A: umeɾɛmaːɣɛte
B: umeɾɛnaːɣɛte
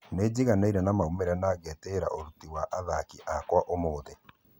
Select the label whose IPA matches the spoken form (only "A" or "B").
B